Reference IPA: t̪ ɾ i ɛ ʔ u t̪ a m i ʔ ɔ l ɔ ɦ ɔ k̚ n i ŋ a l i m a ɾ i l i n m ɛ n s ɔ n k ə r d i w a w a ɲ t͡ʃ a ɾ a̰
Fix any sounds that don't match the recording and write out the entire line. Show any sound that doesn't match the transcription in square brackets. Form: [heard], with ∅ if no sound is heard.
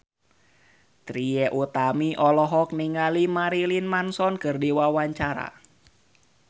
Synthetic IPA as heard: t̪ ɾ i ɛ ʔ u t̪ a m i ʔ ɔ l ɔ ɦ ɔ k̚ n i ŋ a l i m a ɾ i l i n m [a] n s ɔ n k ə r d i w a w a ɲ t͡ʃ a ɾ a̰